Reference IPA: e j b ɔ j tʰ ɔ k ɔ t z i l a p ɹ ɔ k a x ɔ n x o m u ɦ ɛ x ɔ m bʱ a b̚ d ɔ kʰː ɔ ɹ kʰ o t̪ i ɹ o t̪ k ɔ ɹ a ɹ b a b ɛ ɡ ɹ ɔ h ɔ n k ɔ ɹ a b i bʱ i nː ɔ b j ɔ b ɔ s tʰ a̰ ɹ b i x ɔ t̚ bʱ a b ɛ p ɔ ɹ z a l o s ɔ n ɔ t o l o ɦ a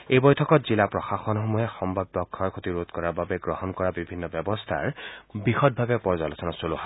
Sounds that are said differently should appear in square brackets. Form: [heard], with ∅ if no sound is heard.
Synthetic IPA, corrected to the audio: e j b ɔ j tʰ ɔ k ɔ t z i l a p ɹ ɔ [x] a x ɔ n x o m u ɦ ɛ x ɔ m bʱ a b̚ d ɔ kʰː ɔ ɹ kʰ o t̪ i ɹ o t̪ k ɔ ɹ a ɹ b a b ɛ ɡ ɹ ɔ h ɔ n k ɔ ɹ a b i bʱ i nː ɔ b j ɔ b ɔ s tʰ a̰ ɹ b i x ɔ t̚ bʱ a b ɛ p ɔ ɹ z a l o s ɔ n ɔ [s] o l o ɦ a